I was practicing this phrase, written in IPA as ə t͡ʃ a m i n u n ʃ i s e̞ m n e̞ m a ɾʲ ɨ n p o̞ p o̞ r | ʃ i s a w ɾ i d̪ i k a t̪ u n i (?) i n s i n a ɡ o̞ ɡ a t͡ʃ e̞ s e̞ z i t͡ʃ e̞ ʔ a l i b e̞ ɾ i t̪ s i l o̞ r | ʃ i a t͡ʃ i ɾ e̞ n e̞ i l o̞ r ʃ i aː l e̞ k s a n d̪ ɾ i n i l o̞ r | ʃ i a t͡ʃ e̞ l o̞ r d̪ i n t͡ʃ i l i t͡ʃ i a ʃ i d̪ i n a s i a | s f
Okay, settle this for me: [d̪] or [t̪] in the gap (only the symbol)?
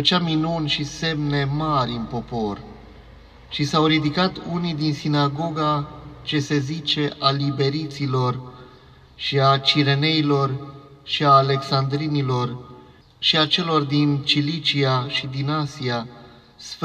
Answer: d̪